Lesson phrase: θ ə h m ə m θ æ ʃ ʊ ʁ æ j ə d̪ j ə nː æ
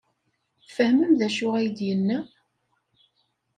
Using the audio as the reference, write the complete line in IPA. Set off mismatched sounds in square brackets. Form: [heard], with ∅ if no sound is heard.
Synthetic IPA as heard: [f] ə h m ə m [ð] æ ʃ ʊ ʁ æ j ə d̪ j ə nː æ